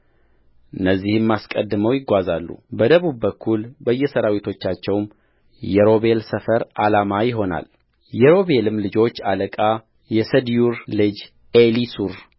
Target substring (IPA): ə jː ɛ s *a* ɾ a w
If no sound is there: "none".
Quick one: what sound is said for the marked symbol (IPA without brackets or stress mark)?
ə